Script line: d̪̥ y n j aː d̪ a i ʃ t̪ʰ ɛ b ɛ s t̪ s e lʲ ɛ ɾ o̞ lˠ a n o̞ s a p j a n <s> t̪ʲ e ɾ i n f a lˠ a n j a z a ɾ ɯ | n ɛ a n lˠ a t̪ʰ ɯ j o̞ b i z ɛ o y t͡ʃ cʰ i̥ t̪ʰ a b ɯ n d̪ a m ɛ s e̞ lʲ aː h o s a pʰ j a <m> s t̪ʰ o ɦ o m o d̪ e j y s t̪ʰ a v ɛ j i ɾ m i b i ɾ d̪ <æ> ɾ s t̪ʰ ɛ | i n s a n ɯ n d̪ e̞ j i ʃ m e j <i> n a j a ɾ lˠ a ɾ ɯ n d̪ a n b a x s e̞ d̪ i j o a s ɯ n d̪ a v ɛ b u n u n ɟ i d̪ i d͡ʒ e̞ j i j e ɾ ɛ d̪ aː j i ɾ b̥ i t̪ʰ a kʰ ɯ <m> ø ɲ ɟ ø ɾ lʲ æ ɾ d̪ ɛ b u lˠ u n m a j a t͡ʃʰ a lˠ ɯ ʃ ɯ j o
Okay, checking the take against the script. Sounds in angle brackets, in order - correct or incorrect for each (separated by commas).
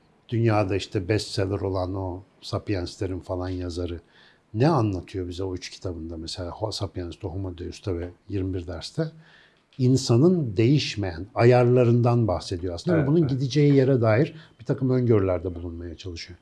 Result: correct, incorrect, correct, incorrect, correct